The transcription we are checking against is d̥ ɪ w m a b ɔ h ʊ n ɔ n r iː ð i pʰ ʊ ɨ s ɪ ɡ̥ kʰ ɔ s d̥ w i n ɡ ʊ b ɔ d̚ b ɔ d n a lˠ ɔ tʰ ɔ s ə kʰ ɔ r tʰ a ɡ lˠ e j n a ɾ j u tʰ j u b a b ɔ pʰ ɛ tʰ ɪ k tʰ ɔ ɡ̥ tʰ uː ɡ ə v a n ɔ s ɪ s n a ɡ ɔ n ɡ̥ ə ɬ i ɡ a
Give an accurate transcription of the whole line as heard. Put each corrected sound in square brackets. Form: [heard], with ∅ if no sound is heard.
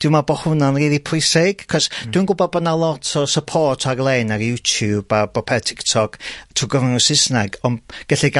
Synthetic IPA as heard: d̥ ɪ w m a b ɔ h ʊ n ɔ n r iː ð i pʰ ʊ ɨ s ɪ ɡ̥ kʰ ɔ s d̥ w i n ɡ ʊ b ɔ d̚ b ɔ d n a lˠ ɔ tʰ ɔ s ə [pʰ] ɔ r tʰ a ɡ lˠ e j n a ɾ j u tʰ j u b a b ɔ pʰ ɛ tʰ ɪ k tʰ ɔ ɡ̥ tʰ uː ɡ ə v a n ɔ s ɪ s n a ɡ ɔ n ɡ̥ ə ɬ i ɡ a